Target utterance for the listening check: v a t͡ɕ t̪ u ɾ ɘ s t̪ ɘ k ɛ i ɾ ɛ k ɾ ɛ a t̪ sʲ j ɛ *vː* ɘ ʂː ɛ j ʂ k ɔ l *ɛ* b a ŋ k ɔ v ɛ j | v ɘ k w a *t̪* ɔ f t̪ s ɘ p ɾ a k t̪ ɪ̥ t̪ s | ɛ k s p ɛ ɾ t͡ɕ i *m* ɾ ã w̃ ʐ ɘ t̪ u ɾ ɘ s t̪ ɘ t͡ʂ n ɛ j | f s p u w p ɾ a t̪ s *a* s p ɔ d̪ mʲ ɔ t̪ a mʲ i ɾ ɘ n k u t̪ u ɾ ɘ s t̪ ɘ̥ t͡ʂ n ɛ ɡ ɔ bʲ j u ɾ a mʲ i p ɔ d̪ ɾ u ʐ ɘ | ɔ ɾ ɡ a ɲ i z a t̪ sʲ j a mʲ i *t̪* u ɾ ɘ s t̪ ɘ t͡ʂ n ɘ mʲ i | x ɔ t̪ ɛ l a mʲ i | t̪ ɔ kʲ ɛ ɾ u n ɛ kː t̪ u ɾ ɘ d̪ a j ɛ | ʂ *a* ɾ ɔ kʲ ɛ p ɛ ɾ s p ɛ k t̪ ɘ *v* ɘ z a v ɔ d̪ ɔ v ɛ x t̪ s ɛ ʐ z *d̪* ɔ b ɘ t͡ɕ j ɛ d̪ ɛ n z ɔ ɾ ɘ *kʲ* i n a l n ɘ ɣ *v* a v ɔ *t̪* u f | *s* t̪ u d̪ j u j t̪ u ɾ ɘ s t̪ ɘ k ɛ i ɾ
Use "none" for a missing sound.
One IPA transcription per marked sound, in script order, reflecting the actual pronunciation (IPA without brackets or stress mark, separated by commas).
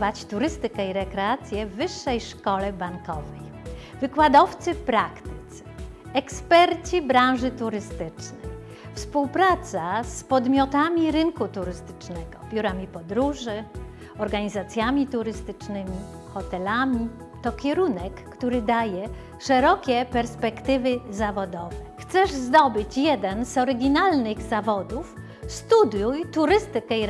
vː, ɛ, d̪, b, a, t̪, ɛ, v, d̪, ɡʲ, z, d̪, s